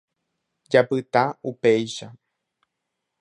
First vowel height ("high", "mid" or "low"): low